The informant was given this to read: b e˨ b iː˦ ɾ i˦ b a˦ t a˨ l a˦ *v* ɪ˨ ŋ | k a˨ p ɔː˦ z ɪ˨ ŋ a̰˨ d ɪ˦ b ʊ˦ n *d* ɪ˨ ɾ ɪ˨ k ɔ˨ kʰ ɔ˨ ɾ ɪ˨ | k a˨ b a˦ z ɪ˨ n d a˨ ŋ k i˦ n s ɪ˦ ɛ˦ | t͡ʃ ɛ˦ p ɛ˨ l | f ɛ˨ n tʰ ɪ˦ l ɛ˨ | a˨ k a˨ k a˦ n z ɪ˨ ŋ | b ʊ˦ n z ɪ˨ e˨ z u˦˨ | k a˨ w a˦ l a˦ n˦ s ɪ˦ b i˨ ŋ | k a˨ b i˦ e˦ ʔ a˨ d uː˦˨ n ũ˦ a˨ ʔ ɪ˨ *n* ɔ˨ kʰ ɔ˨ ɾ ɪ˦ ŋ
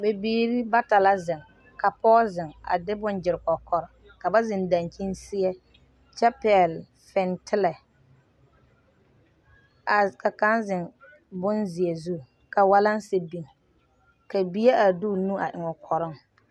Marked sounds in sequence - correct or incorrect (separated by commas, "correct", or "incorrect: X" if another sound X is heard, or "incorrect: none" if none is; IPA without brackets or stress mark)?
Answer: incorrect: z, incorrect: d͡ʒ, incorrect: ŋ